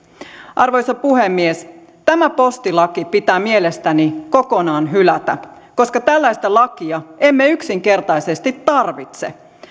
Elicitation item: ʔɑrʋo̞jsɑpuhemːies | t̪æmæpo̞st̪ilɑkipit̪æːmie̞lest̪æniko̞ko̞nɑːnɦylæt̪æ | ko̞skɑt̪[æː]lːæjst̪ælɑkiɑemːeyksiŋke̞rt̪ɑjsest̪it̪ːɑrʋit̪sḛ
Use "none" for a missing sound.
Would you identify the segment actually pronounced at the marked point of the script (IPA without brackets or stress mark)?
æ